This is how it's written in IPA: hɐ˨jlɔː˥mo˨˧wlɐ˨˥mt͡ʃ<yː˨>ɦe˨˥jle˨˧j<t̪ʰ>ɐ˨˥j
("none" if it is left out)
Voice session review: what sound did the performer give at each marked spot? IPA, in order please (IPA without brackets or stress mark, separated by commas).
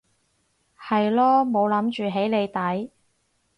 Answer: yː˨, t̪